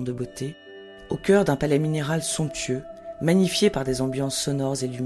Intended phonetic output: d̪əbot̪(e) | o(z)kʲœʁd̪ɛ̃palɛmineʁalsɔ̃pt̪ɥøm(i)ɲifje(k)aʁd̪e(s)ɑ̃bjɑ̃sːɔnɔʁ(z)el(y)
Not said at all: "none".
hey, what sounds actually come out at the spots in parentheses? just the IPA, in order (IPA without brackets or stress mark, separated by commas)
e, none, a, p, z, z, y